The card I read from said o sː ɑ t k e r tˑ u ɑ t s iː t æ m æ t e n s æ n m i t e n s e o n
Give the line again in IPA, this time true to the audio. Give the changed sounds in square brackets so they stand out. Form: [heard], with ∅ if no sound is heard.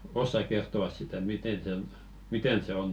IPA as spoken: o sː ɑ [k] k e r tˑ [o] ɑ [s] s [i] t æ m [i] t e n s [e] n m i t e n s e o n